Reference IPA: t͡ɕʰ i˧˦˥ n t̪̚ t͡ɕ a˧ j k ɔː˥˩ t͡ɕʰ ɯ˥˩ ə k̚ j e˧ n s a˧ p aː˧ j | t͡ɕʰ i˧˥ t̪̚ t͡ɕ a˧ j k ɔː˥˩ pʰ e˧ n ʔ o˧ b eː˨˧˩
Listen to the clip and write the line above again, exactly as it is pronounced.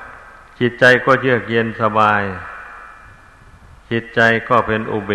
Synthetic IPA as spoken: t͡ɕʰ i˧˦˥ t̪̚ t͡ɕ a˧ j k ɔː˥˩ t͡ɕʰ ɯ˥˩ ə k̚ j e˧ n s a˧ b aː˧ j | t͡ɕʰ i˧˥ t̪̚ t͡ɕ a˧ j k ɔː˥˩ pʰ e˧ n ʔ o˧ b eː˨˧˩